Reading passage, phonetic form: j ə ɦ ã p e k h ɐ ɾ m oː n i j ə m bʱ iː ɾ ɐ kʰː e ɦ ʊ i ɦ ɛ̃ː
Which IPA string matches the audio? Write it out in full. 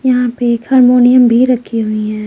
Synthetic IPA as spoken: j ɐ ɦ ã p e k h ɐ ɾ m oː n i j ə m bʱ i ɾ ɐ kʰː i ɦ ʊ i ɦ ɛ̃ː